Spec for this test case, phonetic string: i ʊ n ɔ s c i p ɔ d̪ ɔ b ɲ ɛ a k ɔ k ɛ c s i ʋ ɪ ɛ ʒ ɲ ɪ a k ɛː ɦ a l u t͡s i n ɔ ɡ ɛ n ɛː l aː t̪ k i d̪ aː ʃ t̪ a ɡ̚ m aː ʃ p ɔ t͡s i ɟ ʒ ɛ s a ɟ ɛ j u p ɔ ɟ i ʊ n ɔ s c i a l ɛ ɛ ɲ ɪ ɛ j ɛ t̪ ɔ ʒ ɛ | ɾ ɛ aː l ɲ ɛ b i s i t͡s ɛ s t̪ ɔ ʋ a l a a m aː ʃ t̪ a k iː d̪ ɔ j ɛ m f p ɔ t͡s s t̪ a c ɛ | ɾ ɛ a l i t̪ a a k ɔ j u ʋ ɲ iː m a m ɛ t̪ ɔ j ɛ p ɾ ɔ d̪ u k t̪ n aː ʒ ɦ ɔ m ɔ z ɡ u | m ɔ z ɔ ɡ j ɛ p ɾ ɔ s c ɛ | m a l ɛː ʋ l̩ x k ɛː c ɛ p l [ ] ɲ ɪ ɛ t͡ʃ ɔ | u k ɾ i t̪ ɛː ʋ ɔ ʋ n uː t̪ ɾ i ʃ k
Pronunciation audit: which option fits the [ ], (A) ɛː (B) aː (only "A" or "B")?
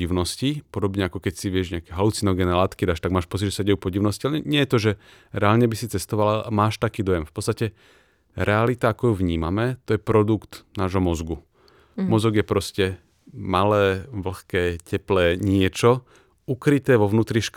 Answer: A